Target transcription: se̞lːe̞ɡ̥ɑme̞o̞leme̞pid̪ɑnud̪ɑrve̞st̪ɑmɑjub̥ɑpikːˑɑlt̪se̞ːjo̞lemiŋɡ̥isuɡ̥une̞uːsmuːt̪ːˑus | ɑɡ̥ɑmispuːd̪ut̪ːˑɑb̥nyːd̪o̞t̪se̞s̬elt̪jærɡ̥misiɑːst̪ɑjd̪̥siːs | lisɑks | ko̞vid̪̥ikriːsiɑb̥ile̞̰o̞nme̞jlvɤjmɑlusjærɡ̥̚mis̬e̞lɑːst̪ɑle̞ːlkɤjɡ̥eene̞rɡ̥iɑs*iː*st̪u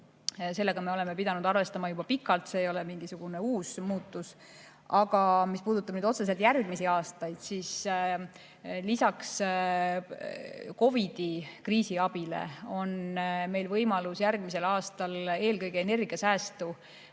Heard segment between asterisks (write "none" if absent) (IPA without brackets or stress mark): æː